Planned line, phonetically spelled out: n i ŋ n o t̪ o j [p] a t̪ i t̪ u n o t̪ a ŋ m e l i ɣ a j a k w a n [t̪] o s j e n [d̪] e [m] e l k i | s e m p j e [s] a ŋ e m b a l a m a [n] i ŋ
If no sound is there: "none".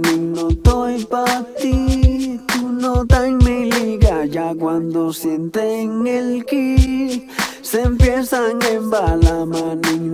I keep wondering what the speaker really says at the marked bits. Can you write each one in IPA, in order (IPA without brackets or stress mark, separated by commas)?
p, d̪, t̪, ŋ, s, n